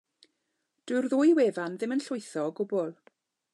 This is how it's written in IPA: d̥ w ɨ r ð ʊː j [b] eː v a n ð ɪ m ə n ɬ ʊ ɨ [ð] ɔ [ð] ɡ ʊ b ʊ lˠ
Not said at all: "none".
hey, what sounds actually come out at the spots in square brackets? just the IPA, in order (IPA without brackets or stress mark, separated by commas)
w, θ, none